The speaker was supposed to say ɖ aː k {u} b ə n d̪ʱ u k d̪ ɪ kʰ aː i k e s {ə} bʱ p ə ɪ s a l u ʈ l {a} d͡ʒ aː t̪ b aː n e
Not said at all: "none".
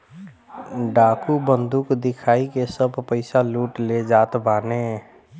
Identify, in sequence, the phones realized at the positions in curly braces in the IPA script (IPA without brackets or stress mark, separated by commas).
u, ə, e